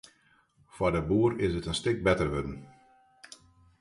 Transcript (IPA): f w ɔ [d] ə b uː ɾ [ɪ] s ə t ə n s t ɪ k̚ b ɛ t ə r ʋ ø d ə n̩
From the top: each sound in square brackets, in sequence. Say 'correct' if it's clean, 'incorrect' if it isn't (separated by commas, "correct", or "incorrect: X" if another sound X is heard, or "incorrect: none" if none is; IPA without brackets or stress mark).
correct, correct